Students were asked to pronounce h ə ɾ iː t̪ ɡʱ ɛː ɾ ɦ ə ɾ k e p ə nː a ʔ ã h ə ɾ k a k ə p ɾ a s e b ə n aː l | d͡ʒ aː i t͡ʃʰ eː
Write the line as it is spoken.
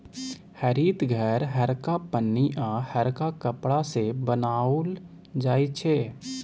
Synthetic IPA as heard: h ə ɾ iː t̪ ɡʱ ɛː ɾ ɦ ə ɾ k a p ə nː i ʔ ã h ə ɾ k a k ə p ɽ a s e b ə n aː l | d͡ʒ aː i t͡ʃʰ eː

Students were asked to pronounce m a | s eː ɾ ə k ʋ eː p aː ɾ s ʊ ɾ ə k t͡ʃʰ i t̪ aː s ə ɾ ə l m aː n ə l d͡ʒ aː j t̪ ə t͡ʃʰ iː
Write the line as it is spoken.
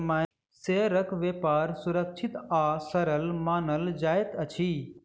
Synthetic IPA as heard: m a | s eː ɾ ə k ʋ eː p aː ɾ s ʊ ɾ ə k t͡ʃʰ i t̪ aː s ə ɾ ə l m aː n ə l d͡ʒ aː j t̪ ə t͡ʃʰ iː

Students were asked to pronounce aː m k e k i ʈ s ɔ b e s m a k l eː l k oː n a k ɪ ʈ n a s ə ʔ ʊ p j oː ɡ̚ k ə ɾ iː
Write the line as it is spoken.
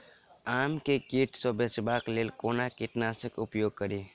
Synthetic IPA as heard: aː m k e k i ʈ s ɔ b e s b a k l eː l k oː n a k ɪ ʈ n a s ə k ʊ p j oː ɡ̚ k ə ɾ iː

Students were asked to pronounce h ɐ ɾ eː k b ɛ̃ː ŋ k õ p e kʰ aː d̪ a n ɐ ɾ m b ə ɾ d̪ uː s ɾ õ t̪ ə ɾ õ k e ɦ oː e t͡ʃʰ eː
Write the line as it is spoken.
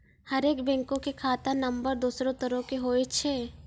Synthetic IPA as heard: h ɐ ɾ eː k b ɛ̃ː ŋ k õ k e kʰ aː t̪ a n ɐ m b ə ɾ d̪ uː s ɾ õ t̪ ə ɾ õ k e ɦ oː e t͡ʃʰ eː

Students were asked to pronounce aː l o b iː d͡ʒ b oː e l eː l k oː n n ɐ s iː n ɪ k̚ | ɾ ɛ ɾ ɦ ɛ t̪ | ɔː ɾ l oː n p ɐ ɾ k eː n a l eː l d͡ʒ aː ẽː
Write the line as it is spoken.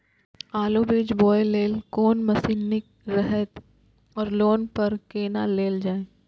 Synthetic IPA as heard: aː l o b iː d͡ʒ b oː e l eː l k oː n m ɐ s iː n ɪ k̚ | ɾ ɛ ɦ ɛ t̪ | ɔː ɾ l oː n p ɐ ɾ k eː n a l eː l d͡ʒ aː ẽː

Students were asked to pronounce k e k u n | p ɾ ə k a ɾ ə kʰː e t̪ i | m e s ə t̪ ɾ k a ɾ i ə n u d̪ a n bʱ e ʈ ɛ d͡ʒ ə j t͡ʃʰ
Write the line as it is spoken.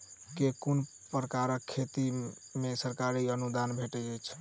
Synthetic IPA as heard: k e k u n | p ɾ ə k a ɾ ə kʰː e t̪ i | m e s ə ɾ k a ɾ i ə n u d̪ a n bʱ e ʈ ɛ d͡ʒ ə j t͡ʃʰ

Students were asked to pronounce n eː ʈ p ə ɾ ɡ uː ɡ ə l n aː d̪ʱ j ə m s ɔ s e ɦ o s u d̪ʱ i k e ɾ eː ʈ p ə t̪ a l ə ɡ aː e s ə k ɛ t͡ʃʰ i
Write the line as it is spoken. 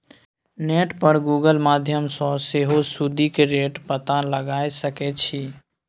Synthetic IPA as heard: n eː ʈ p ə ɾ ɡ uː ɡ ə l m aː d̪ʱ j ə m s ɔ s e ɦ o s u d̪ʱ i k e ɾ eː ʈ p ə t̪ a l ə ɡ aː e s ə k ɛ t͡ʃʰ i

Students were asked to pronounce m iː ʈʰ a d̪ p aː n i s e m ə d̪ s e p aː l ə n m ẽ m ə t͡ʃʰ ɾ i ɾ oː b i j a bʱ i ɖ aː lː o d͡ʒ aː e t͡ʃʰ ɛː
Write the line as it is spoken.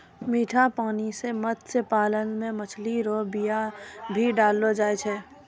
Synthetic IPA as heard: m iː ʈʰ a p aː n i s e m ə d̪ s e p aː l ə n m ẽ m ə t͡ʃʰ l i ɾ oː b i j a bʱ i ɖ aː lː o d͡ʒ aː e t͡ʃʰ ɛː

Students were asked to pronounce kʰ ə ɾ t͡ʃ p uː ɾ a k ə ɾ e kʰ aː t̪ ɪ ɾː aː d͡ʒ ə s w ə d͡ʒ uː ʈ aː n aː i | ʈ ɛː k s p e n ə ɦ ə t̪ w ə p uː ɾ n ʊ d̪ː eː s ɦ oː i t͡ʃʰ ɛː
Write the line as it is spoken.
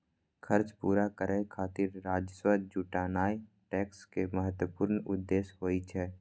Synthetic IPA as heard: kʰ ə ɾ t͡ʃ p uː ɾ a k ə ɾ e kʰ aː t̪ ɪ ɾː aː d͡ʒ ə s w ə d͡ʒ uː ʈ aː n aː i | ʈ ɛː k s k e m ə ɦ ə t̪ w ə p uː ɾ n ʊ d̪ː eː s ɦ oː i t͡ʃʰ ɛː

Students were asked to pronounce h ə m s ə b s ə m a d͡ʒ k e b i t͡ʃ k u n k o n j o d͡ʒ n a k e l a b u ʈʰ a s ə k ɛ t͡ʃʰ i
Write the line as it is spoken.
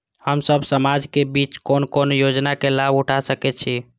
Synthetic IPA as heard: h ə m s ə b s ə m a d͡ʒ k e b i t͡ʃ k o n k o n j o d͡ʒ n a k e l a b u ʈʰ a s ə k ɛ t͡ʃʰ i

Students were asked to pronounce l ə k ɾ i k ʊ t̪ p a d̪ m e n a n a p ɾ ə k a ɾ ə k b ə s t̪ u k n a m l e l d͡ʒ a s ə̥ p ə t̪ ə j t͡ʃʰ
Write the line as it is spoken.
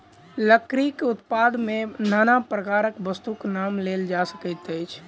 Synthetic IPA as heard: l ə k ɾ i k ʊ t̪ p a d̪ m e n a n a p ɾ ə k a ɾ ə k b ə s t̪ u k n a m l e l d͡ʒ a s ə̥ k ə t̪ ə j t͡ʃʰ

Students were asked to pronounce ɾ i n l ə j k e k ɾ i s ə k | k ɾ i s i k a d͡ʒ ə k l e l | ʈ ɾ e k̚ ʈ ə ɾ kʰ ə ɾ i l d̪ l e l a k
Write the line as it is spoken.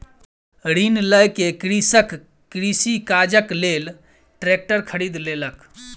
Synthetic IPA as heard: ɾ i n l ə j k e k ɾ i s ə k | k ɾ i s i k a d͡ʒ ə k l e l | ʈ ɾ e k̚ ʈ ə ɾ kʰ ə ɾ i d̪ l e l ə k

